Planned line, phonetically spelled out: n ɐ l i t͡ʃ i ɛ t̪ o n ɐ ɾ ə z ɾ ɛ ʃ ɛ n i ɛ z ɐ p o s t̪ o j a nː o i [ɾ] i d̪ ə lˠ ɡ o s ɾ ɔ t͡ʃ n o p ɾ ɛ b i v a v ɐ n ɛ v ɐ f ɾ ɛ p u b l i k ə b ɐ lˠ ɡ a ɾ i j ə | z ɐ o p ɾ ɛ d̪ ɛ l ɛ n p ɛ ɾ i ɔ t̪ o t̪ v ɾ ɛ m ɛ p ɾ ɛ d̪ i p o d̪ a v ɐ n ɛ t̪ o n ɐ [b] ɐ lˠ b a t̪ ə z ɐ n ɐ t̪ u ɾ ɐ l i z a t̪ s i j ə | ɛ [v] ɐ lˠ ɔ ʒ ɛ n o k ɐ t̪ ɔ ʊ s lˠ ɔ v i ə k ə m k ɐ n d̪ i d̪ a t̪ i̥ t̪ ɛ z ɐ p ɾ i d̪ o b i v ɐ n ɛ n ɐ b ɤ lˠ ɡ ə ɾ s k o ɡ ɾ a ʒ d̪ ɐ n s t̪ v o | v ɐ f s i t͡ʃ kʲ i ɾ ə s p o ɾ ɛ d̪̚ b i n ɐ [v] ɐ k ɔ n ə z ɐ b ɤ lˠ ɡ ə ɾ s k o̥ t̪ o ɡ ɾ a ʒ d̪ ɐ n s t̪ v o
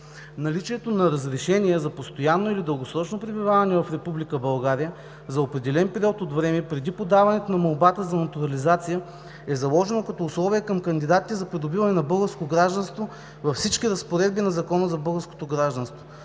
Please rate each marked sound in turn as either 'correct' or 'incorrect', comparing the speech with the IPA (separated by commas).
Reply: incorrect, incorrect, incorrect, incorrect